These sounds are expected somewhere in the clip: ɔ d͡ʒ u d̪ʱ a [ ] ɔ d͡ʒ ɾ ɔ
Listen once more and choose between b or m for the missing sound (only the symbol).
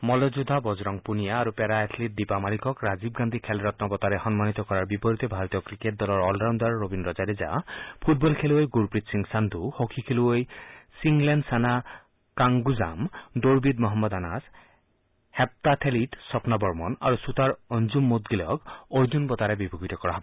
b